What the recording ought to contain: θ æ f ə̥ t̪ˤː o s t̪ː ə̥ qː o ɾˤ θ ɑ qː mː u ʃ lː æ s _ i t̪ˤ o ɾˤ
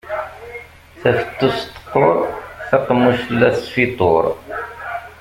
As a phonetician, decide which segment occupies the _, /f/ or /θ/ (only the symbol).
f